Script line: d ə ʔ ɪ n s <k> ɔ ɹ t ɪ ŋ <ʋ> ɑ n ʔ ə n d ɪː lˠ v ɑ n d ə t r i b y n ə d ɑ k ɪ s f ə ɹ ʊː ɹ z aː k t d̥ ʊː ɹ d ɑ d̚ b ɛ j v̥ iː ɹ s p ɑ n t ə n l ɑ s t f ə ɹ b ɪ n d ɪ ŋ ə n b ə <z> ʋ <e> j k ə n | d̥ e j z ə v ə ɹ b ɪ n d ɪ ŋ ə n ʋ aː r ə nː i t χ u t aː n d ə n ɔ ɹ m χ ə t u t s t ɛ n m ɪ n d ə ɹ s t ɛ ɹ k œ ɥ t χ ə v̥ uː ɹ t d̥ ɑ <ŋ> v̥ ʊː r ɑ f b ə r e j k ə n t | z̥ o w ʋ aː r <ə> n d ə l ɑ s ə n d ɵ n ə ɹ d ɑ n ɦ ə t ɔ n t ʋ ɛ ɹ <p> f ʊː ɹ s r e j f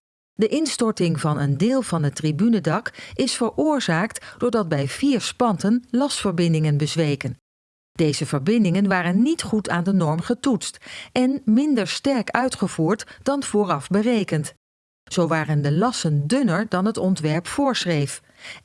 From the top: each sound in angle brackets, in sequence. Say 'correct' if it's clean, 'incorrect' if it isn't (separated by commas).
incorrect, incorrect, correct, correct, incorrect, correct, correct